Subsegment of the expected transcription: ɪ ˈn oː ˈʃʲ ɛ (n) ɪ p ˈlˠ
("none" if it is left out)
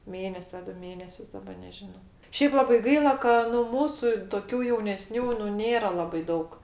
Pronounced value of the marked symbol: none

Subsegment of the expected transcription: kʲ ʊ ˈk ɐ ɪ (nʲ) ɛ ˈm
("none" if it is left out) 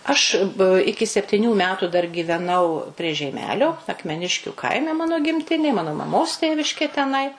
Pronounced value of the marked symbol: mʲ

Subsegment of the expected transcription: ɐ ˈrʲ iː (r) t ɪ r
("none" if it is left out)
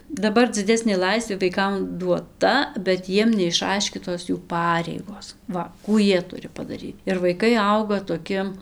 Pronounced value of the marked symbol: none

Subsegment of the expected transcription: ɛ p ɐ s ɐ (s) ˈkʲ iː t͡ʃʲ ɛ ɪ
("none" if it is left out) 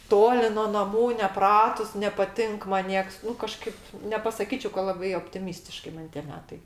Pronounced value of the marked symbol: none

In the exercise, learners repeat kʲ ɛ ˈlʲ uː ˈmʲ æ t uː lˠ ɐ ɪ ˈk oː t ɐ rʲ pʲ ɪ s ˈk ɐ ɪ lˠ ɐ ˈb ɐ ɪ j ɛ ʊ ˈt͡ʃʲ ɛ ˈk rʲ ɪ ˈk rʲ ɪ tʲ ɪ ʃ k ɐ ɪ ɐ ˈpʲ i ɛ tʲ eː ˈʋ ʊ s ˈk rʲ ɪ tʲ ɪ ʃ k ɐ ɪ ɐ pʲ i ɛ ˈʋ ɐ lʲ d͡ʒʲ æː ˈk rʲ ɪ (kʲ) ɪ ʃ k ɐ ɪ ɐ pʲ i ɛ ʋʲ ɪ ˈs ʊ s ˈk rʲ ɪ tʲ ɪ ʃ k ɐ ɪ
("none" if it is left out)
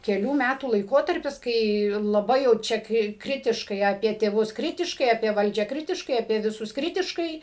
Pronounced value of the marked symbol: tʲ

